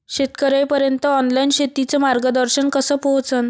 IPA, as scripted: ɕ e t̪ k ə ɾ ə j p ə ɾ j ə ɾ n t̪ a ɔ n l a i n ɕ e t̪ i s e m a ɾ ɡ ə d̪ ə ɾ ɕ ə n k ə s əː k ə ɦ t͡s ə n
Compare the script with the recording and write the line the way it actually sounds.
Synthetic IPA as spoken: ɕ e t̪ k ə ɾ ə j p ə ɾ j ə n t̪ ə ɔ n l a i n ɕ e t̪ i t͡s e m a ɾ ɡ ə d̪ ə ɾ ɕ ə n k ə s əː p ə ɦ t͡s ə n